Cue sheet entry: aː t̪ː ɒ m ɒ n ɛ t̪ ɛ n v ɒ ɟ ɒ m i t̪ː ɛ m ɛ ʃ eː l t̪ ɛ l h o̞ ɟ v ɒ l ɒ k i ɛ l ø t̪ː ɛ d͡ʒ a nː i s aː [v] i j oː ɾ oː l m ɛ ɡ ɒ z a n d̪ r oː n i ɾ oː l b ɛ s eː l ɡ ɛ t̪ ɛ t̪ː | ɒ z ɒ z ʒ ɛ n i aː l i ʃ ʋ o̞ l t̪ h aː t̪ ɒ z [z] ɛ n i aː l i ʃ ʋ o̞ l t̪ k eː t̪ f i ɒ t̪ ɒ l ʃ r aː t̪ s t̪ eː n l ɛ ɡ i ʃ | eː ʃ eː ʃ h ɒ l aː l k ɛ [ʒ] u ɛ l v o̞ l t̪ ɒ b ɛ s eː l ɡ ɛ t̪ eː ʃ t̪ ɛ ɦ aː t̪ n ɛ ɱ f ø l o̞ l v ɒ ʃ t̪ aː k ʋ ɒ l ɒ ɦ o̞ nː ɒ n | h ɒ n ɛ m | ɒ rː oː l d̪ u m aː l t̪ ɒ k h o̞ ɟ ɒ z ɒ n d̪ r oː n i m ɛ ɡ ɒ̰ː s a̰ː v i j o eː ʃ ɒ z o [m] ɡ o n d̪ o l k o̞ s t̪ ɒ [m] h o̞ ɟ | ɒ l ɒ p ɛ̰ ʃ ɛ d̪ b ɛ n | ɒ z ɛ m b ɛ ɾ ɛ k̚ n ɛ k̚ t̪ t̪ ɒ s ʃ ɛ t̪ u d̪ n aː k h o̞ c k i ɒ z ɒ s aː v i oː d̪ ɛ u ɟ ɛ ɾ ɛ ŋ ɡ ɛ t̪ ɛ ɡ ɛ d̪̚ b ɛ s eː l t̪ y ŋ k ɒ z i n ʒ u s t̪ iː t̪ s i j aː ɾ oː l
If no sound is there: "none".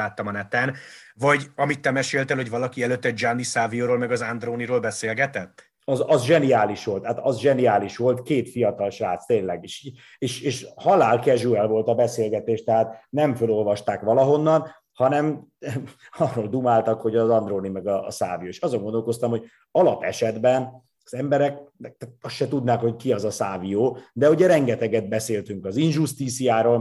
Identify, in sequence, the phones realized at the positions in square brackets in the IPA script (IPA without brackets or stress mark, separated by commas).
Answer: v, ʒ, ʒ, ŋ, m